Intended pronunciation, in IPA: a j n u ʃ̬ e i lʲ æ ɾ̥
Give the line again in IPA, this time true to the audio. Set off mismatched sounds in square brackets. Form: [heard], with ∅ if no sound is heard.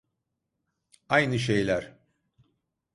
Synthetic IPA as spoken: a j n [ɯ] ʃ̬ e [j] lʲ æ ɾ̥